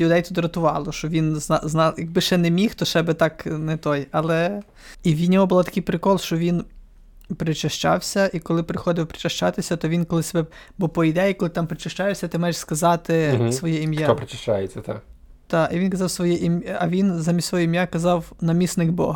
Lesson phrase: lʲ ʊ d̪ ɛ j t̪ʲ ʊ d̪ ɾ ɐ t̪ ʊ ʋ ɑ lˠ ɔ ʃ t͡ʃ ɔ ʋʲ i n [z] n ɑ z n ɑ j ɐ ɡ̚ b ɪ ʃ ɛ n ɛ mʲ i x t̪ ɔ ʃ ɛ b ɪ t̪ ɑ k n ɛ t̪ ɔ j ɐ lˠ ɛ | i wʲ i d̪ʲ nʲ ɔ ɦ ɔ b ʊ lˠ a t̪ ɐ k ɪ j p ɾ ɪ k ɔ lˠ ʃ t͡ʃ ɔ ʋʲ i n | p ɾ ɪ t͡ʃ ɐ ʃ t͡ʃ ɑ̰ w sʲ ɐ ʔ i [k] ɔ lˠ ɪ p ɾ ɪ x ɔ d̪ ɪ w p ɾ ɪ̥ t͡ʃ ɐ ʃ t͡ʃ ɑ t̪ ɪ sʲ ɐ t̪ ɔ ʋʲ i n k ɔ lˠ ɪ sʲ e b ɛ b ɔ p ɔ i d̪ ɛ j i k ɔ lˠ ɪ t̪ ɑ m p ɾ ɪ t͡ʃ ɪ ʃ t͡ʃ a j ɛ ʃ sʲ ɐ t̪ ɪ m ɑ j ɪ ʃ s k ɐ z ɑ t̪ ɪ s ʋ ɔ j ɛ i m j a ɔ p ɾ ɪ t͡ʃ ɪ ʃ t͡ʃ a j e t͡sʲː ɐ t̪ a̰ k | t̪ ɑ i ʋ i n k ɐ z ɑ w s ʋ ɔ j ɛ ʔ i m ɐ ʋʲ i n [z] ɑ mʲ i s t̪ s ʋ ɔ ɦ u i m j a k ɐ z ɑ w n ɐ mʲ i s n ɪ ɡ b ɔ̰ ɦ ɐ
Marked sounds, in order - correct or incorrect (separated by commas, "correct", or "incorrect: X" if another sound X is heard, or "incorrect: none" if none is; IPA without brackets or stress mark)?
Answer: correct, correct, correct